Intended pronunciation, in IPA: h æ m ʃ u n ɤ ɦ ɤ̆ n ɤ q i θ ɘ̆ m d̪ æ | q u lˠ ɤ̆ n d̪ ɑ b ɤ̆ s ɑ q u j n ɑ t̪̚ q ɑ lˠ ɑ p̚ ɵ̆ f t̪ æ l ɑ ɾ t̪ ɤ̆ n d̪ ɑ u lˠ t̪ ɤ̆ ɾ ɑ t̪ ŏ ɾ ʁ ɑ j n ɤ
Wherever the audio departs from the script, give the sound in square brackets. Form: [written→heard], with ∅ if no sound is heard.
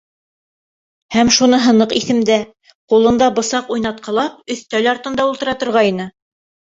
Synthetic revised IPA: h æ m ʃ u n ɤ ɦ ɤ̆ n ɤ q i θ ɘ̆ m d̪ æ | q u lˠ ɤ̆ n d̪ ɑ b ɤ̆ s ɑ q u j n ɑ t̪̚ q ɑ lˠ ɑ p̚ ɵ̆ [f→θ] t̪ æ l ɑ ɾ t̪ ɤ̆ n d̪ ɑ u lˠ t̪ ɤ̆ ɾ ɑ t̪ ŏ ɾ ʁ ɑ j n ɤ